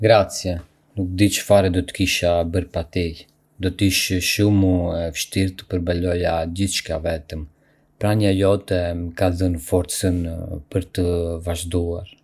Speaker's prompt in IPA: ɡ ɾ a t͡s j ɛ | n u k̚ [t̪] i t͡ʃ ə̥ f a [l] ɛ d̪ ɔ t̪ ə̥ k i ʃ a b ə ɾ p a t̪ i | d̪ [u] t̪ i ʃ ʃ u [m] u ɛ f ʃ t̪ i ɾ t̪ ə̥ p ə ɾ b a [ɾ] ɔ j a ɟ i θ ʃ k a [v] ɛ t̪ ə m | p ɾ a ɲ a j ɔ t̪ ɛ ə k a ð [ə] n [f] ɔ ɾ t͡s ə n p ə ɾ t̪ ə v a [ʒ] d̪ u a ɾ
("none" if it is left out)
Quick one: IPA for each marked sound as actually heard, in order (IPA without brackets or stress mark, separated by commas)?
d̪, ɾ, ɔ, m, l, v, ə, f, ʒ